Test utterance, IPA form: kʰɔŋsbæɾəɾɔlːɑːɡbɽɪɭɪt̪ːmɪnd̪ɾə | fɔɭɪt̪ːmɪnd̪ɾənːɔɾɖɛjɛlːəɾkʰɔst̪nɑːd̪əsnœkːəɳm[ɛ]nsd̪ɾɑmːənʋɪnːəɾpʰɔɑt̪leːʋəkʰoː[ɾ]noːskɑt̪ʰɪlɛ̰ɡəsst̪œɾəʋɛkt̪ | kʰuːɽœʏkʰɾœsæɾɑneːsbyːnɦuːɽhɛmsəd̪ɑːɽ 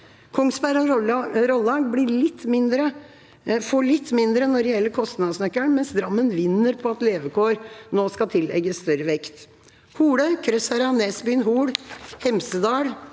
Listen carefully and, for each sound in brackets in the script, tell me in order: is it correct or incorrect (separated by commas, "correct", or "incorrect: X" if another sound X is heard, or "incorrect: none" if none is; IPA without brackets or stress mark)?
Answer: correct, correct